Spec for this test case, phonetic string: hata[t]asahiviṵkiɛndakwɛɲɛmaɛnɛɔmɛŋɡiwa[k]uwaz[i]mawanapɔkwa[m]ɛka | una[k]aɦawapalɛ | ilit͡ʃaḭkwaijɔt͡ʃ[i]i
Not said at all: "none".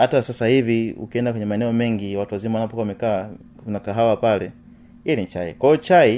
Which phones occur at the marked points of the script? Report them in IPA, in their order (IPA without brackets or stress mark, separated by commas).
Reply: s, t, i, m, k, a